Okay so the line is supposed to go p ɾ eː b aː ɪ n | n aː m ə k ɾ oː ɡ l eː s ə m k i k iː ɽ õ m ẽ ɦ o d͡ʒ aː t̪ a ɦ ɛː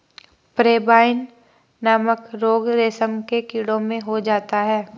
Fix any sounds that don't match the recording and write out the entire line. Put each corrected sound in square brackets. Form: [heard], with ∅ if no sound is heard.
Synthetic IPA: p ɾ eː b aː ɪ n | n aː m ə k ɾ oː ɡ [ɾ] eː s ə m k [e] k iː ɽ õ m ẽ ɦ o d͡ʒ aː t̪ a ɦ ɛː